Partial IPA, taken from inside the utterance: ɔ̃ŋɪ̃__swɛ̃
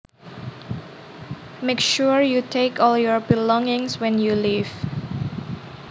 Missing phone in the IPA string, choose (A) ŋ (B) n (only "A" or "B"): A